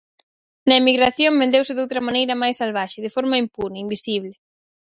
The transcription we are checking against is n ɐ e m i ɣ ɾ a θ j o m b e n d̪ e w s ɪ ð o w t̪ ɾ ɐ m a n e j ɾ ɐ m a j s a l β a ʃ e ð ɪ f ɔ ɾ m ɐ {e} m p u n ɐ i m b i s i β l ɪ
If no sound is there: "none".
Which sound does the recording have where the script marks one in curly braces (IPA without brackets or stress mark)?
i